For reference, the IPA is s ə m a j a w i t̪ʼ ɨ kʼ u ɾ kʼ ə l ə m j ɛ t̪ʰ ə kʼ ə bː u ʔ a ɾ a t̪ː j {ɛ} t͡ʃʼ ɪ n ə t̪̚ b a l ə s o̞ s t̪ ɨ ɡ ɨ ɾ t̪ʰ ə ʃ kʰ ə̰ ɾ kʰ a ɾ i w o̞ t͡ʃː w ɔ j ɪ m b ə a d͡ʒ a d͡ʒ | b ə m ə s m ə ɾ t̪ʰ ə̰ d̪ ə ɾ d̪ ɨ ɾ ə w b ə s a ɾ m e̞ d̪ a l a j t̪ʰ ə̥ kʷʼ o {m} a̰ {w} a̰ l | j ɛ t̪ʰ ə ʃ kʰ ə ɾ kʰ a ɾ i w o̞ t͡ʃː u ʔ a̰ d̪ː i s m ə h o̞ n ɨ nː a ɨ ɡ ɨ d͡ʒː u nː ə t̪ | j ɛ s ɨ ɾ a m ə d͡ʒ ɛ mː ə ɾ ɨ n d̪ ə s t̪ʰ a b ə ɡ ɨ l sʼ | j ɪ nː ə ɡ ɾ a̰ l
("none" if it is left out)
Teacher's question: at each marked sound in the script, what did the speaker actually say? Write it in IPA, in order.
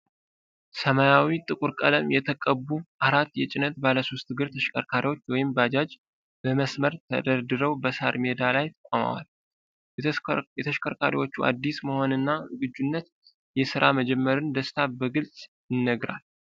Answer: ɛ, m, w

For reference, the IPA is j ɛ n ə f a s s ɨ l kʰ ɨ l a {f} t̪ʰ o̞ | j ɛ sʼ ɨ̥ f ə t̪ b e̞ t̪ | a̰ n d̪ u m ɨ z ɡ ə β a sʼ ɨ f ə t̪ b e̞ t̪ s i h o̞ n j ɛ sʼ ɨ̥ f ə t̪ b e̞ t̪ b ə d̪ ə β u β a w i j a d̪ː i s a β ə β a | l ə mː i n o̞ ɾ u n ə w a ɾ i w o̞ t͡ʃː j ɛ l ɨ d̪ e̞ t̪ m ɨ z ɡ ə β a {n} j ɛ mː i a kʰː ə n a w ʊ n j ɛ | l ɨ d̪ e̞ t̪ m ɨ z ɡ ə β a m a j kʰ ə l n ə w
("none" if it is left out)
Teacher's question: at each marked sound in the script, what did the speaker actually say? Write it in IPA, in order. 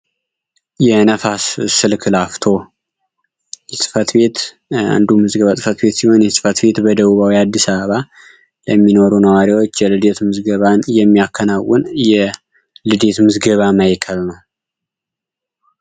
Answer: f, n

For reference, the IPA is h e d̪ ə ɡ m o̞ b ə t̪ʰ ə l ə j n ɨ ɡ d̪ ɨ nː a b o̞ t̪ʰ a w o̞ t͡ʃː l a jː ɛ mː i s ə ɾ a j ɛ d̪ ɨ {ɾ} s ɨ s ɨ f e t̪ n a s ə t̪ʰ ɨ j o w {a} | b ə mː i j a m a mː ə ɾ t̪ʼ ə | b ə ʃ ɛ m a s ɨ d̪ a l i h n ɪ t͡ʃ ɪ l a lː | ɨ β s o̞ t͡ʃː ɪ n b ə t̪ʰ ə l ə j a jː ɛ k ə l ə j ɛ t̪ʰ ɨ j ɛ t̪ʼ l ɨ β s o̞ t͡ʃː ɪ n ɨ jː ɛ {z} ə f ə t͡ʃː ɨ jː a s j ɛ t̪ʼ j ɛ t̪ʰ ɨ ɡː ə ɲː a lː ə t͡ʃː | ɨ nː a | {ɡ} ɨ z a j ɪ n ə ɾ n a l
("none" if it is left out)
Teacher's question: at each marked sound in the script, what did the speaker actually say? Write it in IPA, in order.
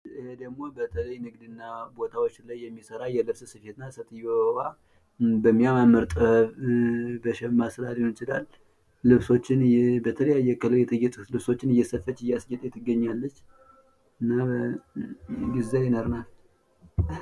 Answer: ɾ, a, s, ɡ

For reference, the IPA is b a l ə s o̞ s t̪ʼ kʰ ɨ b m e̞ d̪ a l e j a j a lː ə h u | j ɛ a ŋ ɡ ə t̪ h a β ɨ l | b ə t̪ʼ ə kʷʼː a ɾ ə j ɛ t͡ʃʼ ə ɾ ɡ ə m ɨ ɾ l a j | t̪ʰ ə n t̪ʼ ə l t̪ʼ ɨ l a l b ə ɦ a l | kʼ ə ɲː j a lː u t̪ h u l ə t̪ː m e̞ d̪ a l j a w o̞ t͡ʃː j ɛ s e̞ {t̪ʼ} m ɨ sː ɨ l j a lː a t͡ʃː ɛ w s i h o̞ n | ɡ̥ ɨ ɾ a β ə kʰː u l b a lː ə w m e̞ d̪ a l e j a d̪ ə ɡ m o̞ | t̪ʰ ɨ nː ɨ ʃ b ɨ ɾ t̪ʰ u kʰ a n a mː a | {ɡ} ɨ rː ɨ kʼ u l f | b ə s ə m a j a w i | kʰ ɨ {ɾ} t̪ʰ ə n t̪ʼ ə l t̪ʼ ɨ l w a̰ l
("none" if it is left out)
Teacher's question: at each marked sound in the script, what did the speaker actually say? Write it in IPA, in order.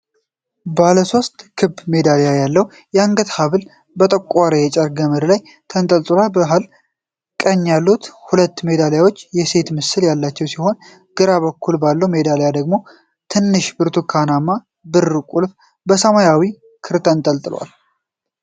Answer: t̪, b, ɾ

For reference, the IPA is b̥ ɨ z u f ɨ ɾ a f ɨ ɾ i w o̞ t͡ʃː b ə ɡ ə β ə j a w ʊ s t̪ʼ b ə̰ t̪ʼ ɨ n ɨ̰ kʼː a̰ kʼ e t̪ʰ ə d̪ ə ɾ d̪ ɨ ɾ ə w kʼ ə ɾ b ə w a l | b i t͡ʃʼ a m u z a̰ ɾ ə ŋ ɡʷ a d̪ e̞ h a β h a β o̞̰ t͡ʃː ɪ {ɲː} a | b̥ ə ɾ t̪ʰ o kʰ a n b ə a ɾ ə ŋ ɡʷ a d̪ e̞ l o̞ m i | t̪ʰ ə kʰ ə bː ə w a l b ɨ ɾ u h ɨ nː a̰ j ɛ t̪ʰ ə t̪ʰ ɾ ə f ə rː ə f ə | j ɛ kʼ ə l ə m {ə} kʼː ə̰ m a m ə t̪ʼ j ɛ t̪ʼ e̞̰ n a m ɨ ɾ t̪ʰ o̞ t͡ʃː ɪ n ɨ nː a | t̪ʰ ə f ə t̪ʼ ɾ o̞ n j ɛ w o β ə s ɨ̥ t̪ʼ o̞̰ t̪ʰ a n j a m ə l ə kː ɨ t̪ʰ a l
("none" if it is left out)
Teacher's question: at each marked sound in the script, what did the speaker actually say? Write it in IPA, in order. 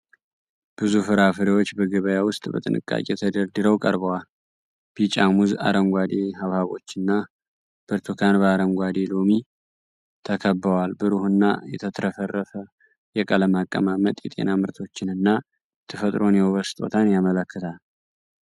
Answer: nː, a

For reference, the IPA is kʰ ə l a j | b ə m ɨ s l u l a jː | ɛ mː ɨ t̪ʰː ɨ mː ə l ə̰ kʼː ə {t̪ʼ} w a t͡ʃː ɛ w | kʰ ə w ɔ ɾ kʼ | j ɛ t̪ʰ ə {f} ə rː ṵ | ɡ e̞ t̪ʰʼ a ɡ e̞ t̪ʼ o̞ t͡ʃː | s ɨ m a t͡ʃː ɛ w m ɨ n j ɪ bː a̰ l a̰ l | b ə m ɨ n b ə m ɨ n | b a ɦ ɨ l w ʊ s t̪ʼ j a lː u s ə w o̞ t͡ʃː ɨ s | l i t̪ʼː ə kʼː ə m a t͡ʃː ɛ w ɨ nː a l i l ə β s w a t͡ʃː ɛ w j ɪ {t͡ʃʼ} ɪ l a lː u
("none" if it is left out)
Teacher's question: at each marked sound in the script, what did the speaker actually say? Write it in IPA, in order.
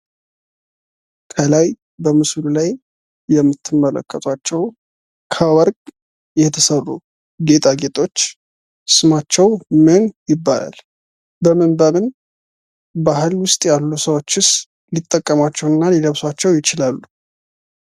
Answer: t̪ʼ, s, t͡ʃ

